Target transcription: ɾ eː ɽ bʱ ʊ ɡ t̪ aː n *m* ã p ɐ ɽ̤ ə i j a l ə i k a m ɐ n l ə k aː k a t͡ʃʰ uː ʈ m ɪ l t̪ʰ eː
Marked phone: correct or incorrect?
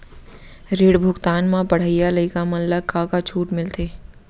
correct